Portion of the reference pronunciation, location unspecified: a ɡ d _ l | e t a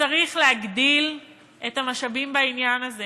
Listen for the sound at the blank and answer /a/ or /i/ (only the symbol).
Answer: i